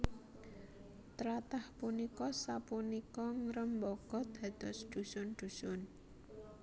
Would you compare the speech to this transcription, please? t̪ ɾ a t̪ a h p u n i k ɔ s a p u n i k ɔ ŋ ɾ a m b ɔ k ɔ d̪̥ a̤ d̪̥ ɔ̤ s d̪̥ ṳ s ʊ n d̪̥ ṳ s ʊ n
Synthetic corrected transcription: t̪ ɾ a t̪ a h p u n i k ɔ s a p u n i k ɔ ŋ ɾ ə m b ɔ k ɔ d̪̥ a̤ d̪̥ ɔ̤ s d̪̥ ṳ s ʊ n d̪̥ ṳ s ʊ n